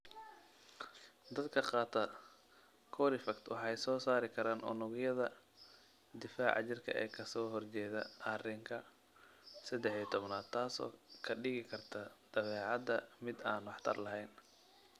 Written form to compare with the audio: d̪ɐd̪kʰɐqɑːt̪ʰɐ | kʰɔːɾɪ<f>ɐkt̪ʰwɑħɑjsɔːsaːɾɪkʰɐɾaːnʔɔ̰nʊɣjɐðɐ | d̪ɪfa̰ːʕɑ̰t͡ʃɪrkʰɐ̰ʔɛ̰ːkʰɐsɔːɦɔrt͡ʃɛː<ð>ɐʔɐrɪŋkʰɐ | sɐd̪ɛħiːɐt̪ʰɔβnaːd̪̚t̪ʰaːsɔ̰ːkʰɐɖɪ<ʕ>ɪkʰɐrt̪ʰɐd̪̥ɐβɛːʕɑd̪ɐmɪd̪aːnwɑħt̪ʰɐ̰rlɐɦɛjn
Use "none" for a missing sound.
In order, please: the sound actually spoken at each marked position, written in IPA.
f, ð, ɣ

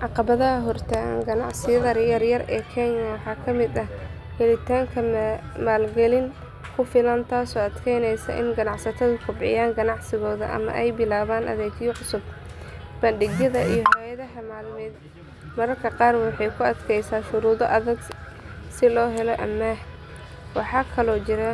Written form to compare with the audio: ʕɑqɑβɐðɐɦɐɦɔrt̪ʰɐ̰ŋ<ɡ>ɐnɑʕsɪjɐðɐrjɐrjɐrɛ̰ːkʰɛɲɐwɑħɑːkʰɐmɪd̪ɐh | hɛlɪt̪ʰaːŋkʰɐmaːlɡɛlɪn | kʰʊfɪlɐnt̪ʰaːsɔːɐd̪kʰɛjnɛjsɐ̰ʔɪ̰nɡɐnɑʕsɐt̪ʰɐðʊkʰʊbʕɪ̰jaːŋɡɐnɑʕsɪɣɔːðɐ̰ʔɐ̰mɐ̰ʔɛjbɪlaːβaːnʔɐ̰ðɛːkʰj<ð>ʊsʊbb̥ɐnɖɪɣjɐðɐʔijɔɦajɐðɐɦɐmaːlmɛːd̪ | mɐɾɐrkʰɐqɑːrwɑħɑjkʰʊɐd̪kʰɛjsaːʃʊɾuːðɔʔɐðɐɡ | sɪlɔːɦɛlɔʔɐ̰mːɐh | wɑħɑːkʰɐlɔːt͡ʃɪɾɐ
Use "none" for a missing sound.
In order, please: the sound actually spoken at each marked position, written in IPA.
ɡ, ʕ

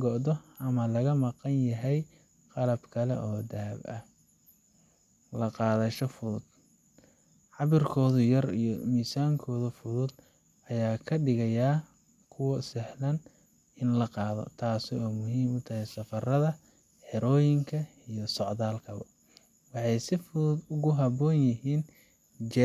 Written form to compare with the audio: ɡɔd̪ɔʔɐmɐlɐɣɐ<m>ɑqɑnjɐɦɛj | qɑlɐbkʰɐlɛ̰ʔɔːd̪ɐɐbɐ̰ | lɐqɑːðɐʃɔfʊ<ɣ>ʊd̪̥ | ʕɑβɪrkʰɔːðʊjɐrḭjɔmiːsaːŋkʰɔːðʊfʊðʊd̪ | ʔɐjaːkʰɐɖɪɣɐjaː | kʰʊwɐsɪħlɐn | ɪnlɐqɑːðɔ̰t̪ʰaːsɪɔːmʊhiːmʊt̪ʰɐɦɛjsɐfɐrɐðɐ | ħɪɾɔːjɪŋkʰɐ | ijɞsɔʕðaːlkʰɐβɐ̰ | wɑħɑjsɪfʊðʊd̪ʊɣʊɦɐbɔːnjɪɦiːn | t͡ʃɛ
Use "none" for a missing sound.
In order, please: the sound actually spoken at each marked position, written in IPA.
m, ð

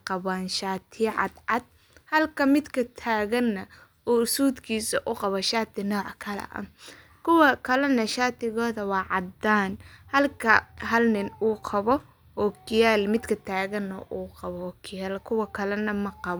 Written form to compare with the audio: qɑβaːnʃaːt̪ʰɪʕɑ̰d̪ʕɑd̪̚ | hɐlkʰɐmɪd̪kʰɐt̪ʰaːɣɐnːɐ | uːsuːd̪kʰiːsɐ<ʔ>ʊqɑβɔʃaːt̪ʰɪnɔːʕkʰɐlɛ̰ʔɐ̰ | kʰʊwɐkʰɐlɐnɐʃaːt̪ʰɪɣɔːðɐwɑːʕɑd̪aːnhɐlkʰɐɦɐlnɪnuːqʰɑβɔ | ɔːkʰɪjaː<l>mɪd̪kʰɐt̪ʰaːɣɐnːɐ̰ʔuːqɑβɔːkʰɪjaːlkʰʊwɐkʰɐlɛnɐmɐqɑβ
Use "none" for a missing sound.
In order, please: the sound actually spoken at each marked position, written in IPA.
ʔ, l

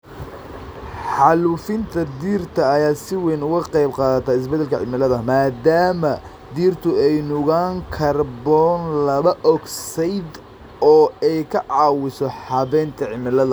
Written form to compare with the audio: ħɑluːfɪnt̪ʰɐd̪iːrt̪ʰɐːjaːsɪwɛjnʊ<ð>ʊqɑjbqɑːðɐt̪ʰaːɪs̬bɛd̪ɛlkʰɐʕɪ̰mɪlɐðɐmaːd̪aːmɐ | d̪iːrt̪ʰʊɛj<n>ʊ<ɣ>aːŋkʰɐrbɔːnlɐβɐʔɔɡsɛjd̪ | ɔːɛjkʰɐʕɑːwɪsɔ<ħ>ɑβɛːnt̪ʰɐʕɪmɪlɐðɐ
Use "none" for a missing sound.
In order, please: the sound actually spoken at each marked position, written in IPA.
ɣ, n, ɣ, ħ

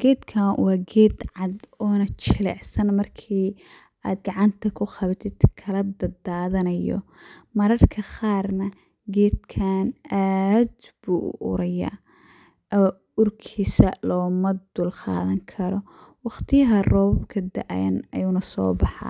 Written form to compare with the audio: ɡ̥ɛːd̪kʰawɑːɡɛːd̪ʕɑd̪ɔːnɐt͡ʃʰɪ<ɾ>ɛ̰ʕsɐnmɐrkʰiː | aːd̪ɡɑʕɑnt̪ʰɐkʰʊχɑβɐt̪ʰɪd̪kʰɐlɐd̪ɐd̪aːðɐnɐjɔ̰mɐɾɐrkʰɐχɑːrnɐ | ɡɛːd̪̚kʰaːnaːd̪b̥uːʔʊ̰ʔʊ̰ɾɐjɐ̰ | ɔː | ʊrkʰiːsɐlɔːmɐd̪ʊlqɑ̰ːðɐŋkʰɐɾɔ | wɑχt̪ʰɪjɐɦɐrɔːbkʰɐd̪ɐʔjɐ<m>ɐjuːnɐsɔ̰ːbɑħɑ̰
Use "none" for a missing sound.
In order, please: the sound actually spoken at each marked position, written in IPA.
l, n

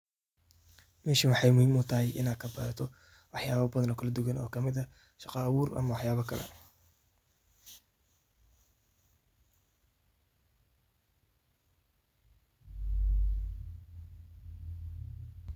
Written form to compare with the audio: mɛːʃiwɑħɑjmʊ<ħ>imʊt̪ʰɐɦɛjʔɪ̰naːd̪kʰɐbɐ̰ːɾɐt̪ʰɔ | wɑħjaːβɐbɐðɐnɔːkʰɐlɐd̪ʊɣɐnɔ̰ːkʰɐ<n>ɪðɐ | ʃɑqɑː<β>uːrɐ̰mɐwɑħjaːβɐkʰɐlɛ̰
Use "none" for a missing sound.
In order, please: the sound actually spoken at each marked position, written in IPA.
h, m, w

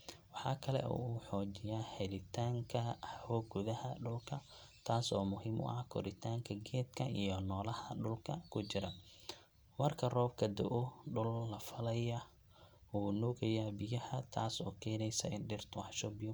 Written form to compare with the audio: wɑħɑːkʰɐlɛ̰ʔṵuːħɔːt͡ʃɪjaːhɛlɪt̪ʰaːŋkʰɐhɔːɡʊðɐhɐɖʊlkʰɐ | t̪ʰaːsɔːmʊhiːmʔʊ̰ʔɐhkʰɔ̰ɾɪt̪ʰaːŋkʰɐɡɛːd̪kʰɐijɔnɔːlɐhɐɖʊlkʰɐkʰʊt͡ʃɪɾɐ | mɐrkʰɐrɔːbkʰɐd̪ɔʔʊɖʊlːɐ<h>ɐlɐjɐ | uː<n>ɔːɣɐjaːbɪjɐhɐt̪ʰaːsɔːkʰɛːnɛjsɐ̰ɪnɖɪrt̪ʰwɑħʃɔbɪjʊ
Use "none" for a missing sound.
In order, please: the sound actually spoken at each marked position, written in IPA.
f, n

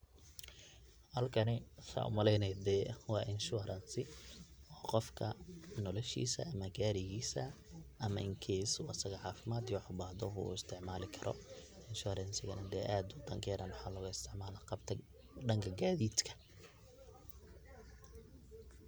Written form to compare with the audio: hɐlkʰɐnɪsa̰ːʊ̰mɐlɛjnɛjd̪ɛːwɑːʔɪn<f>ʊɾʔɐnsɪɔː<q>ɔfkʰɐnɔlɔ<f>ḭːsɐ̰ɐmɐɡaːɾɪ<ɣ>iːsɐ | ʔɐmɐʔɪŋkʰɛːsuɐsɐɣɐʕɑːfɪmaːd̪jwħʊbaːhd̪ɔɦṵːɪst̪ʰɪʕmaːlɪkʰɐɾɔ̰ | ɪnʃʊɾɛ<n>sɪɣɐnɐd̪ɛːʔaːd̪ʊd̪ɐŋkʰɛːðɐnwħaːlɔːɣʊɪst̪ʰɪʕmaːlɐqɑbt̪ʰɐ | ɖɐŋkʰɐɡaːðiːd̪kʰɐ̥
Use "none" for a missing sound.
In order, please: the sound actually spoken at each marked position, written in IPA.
ʃ, q, ʃ, ɣ, n

